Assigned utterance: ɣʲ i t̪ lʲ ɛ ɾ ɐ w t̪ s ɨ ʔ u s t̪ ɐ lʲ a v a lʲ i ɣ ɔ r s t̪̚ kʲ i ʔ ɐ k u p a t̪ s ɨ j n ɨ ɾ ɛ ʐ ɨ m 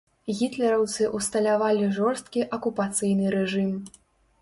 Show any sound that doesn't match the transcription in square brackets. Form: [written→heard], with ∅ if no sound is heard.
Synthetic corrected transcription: ɣʲ i t̪ lʲ ɛ ɾ ɐ w t̪ s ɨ ʔ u s t̪ ɐ lʲ a v a lʲ i [ɣ→ʐ] ɔ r s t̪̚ kʲ i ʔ ɐ k u p a t̪ s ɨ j n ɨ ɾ ɛ ʐ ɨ m